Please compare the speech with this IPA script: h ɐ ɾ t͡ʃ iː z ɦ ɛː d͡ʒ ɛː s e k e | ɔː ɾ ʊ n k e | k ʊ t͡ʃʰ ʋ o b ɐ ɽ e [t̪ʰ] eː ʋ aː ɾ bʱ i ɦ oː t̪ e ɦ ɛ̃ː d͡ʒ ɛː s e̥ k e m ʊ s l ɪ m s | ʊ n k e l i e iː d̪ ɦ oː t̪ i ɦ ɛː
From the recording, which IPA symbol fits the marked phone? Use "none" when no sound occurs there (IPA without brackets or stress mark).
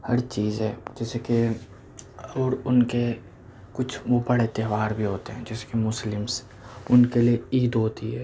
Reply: t̪